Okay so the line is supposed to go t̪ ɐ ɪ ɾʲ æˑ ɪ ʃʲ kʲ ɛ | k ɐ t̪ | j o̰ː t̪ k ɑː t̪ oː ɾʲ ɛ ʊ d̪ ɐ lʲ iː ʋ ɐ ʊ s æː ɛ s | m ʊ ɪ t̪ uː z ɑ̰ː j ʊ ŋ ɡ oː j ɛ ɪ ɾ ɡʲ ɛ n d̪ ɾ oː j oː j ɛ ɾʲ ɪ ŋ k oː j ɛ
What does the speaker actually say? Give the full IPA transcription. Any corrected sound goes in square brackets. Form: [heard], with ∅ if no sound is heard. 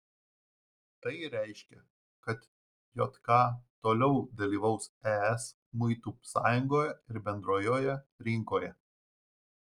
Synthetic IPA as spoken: t̪ ɐ ɪ ɾʲ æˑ ɪ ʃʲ kʲ ɛ | k ɐ t̪ | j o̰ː t̪ k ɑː t̪ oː [lʲ] ɛ ʊ d̪ ɐ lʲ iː ʋ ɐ ʊ s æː ɛ s | m ʊ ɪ t̪ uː [s] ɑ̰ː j ʊ ŋ ɡ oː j ɛ ɪ ɾ [bʲ] ɛ n d̪ ɾ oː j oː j ɛ ɾʲ ɪ ŋ k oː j ɛ